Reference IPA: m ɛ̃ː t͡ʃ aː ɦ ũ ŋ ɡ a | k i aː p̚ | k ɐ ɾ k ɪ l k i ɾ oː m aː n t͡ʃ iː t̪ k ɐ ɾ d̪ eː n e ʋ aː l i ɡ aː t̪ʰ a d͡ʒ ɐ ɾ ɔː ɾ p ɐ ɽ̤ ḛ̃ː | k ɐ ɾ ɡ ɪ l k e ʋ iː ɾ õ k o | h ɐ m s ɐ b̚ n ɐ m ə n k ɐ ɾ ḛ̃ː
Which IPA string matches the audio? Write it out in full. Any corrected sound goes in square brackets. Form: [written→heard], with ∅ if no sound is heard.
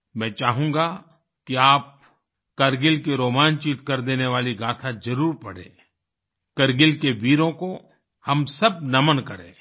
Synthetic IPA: m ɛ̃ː t͡ʃ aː ɦ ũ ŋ ɡ a | k i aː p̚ | k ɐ ɾ [k→ɡ] ɪ l k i ɾ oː m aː n t͡ʃ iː t̪ k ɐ ɾ d̪ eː n e ʋ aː l i ɡ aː t̪ʰ a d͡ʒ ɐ ɾ [ɔː→uː] ɾ p ɐ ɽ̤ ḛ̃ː | k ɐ ɾ ɡ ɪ l k e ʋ iː ɾ õ k o | h ɐ m s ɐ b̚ n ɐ m ə n k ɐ ɾ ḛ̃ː

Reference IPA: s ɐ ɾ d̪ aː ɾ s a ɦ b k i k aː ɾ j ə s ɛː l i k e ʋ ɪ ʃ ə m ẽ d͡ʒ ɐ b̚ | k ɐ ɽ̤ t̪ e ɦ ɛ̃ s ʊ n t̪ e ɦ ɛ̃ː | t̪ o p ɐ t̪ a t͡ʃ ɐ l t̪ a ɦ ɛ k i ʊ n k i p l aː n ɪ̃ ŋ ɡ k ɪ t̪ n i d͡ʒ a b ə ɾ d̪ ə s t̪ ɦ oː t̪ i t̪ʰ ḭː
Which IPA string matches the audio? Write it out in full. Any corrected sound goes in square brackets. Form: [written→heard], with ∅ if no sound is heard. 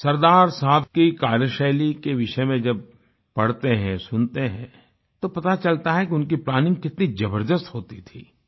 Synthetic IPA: s ɐ ɾ d̪ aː ɾ s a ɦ b k i k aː ɾ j ə [s→ʃ] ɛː l i k e ʋ ɪ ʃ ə m ẽ d͡ʒ ɐ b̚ | [k→p] ɐ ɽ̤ t̪ e ɦ ɛ̃ s ʊ n t̪ e ɦ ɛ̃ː | t̪ o p ɐ t̪ a t͡ʃ ɐ l t̪ a ɦ ɛ k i ʊ n k i p l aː n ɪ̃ ŋ ɡ k ɪ t̪ n i d͡ʒ [a→ɐ] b ə ɾ d̪ ə s t̪ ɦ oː t̪ i t̪ʰ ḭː

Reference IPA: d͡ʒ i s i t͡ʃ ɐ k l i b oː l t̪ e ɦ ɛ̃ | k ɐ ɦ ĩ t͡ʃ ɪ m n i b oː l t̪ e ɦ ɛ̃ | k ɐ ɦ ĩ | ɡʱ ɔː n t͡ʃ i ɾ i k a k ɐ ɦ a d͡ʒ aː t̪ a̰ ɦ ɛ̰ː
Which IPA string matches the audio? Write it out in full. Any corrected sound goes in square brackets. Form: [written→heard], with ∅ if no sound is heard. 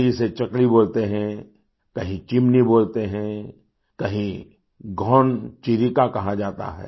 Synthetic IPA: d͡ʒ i s [i→e] t͡ʃ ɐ k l i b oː l t̪ e ɦ ɛ̃ | k ɐ ɦ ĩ t͡ʃ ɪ m n i b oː l t̪ e ɦ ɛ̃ | k ɐ ɦ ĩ | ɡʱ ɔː n t͡ʃ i ɾ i k a k ɐ ɦ a d͡ʒ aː t̪ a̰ ɦ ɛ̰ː

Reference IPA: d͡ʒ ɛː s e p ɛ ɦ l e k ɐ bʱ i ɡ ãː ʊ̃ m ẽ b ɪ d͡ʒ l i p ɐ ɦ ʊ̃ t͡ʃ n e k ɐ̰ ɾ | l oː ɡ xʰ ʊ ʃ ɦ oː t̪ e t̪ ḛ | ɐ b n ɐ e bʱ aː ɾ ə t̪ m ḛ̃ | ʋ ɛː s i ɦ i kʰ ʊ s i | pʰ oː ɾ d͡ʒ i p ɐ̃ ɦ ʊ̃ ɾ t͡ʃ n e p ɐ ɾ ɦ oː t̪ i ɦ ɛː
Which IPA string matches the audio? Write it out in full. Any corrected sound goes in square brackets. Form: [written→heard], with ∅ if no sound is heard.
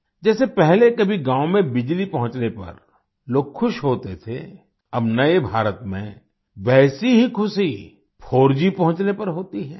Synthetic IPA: d͡ʒ ɛː s e p ɛ ɦ l e k ɐ bʱ i ɡ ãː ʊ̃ m ẽ b ɪ d͡ʒ l i p ɐ ɦ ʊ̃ t͡ʃ n e [k→p] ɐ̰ ɾ | l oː ɡ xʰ ʊ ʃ ɦ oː t̪ e [t̪→t̪ʰ] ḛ | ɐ b n ɐ e bʱ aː ɾ ə t̪ m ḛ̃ | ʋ ɛː s i ɦ i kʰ ʊ s i | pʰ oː ɾ d͡ʒ i p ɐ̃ ɦ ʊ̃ [ɾ→∅] t͡ʃ n e p ɐ ɾ ɦ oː t̪ i ɦ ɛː

